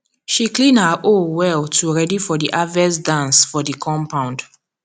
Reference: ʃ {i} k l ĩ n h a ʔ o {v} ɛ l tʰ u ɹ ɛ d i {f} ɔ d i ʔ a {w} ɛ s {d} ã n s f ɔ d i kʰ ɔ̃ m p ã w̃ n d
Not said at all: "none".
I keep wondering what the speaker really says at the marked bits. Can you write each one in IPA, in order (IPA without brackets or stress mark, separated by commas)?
i, w, f, v, d